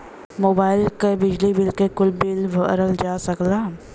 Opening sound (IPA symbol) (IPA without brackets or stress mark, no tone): m